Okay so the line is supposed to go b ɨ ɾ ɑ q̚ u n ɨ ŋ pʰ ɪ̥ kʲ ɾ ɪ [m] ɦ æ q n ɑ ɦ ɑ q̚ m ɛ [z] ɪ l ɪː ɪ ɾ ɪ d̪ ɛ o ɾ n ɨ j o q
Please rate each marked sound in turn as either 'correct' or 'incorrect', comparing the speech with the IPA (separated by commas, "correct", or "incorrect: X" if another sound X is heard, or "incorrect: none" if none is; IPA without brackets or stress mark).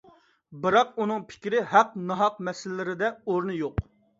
incorrect: none, incorrect: s